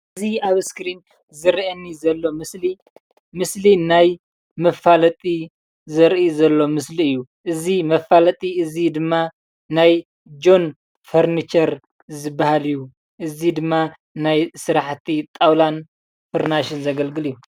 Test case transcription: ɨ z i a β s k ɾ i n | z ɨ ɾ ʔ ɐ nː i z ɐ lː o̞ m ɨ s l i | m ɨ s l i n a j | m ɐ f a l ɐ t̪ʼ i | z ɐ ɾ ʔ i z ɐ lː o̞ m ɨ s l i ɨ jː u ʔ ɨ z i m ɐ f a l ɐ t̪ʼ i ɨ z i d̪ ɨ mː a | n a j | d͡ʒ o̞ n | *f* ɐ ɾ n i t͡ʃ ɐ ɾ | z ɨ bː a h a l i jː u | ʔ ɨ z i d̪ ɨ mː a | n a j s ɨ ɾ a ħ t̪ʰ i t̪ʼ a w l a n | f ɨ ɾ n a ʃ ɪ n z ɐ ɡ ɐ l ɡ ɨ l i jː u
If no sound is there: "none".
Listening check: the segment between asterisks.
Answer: f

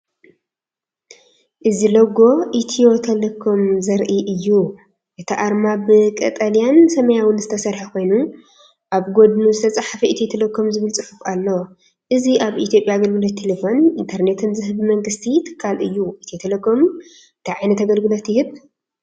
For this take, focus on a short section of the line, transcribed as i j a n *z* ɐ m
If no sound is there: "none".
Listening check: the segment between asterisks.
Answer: s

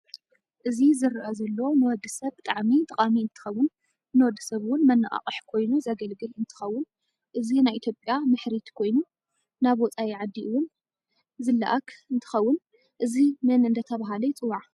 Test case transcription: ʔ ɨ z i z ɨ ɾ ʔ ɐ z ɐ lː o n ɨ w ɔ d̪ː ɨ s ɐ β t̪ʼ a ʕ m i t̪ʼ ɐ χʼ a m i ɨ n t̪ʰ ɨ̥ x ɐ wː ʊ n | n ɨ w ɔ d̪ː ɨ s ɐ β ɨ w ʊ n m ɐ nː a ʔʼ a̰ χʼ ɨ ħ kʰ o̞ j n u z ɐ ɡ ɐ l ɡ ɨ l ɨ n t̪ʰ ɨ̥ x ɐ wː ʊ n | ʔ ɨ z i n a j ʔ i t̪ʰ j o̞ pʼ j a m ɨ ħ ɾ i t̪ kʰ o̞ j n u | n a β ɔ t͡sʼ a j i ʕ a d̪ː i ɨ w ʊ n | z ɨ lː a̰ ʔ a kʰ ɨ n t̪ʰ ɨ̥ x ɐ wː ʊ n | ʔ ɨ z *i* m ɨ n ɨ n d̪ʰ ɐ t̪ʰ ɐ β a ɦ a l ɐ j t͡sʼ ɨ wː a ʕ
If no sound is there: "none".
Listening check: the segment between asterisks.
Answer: i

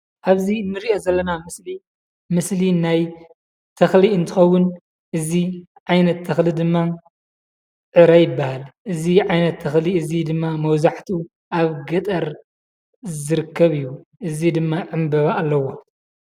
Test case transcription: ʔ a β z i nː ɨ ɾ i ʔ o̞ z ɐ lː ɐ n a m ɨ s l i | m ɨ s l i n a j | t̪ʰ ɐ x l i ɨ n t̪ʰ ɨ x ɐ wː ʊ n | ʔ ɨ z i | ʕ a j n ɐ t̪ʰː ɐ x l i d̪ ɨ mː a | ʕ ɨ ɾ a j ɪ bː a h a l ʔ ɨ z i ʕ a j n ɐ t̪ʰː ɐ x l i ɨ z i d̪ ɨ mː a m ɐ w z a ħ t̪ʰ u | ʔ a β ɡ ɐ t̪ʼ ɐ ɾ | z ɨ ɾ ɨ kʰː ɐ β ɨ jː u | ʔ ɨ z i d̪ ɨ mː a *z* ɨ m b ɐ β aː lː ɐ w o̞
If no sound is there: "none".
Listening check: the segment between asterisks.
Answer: ʕ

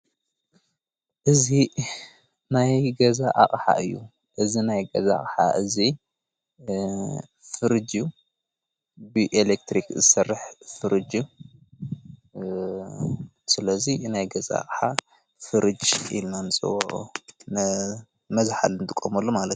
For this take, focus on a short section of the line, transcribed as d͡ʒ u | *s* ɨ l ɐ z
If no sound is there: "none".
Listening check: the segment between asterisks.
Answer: s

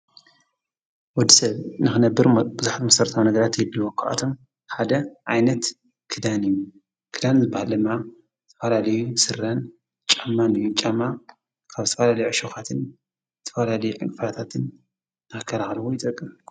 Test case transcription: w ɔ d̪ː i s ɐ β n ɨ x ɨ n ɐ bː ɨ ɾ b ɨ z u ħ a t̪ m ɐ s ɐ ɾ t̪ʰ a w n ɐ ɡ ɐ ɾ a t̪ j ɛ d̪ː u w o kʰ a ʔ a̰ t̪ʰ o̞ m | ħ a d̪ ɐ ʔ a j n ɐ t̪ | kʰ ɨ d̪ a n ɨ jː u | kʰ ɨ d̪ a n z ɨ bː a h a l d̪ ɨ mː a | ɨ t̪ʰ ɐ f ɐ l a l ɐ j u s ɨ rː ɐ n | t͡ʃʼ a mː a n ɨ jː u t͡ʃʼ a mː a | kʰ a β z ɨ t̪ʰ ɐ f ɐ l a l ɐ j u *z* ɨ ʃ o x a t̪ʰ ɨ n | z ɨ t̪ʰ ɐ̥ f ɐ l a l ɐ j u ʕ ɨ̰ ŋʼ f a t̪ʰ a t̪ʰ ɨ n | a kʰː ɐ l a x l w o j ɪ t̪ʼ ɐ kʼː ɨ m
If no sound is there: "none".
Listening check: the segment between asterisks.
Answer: ʕ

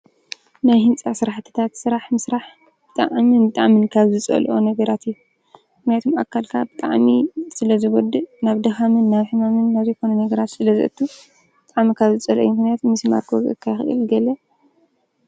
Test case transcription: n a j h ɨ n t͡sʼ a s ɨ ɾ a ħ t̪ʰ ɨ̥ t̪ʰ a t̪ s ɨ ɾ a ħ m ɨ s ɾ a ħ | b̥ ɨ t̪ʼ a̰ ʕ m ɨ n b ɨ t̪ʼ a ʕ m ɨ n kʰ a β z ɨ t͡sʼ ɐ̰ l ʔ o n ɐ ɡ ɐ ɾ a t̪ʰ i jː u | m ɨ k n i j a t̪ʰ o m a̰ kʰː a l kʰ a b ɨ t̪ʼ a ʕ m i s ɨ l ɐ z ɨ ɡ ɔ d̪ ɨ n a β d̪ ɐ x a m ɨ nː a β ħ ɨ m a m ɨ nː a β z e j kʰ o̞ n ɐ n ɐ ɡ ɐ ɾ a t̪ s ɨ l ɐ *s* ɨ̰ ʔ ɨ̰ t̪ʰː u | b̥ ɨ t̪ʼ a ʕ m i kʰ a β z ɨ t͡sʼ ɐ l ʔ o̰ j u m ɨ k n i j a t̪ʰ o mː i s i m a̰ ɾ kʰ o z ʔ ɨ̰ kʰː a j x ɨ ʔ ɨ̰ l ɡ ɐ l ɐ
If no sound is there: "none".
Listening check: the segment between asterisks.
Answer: z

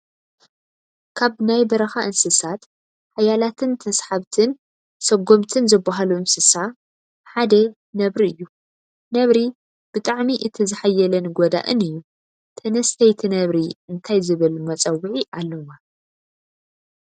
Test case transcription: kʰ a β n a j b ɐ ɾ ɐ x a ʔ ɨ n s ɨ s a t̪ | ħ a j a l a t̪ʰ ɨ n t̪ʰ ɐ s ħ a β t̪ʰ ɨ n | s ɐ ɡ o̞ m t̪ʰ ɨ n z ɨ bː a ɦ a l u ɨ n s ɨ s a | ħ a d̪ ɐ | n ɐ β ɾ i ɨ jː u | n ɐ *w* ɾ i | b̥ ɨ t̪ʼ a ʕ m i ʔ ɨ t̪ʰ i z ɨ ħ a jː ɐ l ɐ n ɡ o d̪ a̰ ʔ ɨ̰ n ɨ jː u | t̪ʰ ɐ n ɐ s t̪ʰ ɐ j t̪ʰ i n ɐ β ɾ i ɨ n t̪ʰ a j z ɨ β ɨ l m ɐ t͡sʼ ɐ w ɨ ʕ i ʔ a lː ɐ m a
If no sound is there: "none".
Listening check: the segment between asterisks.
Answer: β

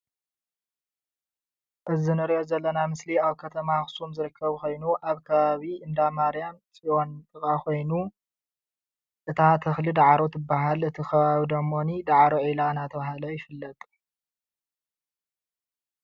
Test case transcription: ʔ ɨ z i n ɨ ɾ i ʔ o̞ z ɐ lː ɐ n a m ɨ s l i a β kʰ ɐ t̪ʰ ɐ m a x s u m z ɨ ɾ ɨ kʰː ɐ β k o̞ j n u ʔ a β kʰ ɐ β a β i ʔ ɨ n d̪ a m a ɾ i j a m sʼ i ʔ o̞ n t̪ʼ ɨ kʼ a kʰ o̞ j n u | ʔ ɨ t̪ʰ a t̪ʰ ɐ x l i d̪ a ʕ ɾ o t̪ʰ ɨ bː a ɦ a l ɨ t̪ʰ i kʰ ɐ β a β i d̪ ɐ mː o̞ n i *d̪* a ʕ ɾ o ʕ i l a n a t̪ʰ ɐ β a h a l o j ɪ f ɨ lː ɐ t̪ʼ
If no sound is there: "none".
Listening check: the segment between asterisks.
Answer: d̪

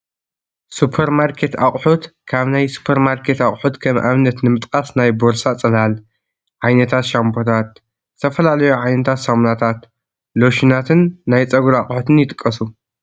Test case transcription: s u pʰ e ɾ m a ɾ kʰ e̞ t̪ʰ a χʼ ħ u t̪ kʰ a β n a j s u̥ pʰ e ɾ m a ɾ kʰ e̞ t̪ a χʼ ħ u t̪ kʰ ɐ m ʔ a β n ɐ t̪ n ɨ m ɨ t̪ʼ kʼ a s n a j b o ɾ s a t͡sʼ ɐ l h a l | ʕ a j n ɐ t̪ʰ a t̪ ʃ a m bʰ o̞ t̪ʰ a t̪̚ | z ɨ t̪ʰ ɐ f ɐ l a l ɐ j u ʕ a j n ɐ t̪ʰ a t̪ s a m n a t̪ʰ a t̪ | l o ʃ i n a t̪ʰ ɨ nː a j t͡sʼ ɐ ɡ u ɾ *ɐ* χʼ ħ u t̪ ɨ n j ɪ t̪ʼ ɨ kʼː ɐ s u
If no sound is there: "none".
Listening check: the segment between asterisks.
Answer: a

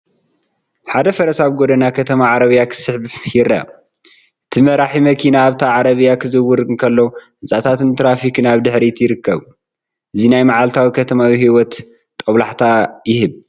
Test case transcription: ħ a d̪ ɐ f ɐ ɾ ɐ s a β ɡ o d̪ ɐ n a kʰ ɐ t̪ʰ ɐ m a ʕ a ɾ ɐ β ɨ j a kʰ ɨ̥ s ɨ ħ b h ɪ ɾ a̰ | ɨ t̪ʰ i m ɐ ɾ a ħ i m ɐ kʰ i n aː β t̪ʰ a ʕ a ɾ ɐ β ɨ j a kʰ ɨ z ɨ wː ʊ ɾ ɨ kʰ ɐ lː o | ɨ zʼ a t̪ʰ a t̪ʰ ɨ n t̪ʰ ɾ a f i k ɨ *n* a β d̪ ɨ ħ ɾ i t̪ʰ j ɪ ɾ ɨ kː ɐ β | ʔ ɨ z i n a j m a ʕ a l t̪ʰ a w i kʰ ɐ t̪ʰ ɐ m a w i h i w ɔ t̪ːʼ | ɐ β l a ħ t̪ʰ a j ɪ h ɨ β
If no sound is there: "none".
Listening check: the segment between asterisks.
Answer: n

